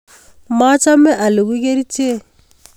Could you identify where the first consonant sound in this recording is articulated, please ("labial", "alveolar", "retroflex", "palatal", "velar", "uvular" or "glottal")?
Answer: labial